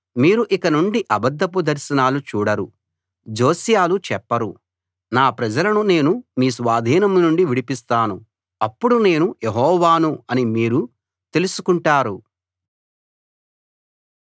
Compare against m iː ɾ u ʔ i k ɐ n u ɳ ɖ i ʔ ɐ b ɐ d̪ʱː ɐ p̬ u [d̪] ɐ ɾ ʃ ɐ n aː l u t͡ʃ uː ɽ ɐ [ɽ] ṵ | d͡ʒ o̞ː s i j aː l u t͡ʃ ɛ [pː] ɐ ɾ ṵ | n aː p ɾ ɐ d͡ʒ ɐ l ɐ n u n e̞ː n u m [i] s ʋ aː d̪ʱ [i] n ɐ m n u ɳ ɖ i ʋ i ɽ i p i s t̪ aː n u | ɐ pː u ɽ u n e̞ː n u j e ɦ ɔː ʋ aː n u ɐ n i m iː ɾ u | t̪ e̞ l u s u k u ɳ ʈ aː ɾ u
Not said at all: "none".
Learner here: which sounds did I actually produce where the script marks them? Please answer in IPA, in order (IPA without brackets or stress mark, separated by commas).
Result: d̪, ɾ, pː, iː, iː